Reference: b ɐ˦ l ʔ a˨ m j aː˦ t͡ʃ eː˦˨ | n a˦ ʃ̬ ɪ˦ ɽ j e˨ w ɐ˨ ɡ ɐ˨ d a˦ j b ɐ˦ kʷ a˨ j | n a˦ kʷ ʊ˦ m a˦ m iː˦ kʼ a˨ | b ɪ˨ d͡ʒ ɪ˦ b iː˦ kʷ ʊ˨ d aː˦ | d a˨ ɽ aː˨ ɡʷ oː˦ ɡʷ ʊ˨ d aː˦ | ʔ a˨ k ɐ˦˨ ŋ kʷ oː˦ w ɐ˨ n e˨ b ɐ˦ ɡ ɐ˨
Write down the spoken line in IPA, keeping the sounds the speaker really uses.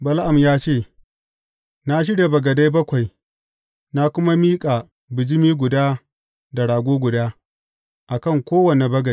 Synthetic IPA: b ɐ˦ l ʔ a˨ m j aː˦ t͡ʃ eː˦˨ | n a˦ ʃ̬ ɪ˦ ɽ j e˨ b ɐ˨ ɡ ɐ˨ d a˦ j b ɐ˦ kʷ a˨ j | n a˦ kʷ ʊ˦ m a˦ m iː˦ kʼ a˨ | b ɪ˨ d͡ʒ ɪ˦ m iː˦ ɡʷ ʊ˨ d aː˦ | d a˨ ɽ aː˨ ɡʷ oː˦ ɡʷ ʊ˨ d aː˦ | ʔ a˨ k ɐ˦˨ ŋ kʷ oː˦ w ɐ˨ n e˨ b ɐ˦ ɡ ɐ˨